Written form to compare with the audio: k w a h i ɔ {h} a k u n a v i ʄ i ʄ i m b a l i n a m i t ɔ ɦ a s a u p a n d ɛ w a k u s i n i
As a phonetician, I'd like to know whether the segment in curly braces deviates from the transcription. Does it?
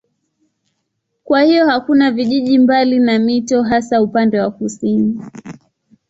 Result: no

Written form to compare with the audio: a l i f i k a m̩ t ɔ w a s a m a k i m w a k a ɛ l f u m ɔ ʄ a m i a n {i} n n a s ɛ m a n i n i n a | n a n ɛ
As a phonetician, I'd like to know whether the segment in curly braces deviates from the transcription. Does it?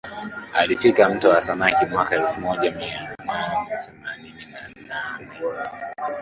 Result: yes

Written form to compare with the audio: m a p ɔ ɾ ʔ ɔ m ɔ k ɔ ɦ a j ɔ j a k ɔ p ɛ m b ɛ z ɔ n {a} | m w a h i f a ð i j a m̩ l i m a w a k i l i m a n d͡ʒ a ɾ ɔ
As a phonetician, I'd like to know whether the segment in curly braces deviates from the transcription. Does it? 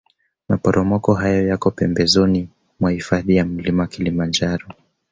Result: yes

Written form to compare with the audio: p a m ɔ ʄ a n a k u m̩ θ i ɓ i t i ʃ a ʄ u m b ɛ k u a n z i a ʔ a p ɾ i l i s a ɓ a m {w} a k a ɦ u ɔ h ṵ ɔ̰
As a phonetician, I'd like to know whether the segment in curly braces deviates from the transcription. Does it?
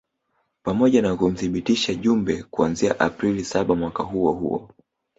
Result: no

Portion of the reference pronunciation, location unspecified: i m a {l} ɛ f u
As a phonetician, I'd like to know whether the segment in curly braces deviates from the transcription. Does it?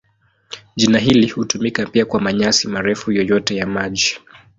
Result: yes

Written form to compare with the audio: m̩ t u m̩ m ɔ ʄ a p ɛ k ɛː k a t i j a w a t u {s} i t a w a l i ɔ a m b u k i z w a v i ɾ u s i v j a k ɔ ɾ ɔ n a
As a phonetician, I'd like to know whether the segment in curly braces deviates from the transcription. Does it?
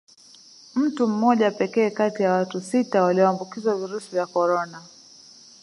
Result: no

